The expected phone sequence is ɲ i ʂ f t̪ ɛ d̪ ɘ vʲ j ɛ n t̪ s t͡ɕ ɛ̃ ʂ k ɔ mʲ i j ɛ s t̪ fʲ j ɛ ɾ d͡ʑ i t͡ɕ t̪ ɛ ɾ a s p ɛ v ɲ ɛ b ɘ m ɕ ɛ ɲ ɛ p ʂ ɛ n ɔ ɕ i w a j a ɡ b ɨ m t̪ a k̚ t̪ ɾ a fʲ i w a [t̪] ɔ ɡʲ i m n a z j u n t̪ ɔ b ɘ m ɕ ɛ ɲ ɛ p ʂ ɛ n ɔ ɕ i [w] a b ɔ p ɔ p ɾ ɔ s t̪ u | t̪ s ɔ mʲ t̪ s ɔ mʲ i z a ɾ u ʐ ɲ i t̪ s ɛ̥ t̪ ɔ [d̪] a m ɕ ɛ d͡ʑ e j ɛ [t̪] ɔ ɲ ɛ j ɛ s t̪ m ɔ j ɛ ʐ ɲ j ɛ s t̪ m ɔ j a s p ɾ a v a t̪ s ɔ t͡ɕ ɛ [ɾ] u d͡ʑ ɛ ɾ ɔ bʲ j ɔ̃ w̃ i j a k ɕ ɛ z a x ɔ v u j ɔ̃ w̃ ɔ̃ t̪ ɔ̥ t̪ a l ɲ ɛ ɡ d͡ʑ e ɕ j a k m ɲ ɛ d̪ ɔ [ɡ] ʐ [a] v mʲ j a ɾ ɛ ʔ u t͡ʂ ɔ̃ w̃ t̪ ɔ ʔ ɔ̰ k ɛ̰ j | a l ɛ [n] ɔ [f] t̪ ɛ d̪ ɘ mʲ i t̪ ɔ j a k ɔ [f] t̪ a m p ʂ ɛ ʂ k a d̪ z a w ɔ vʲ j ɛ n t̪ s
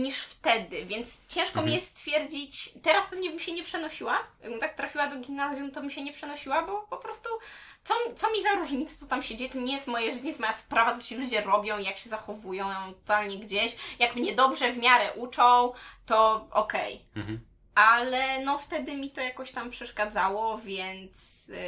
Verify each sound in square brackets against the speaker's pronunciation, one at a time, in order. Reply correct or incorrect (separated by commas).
incorrect, correct, incorrect, correct, incorrect, incorrect, incorrect, correct, correct, incorrect